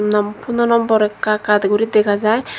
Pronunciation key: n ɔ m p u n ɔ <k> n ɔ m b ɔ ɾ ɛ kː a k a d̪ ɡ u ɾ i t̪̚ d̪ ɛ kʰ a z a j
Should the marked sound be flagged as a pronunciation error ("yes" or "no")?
yes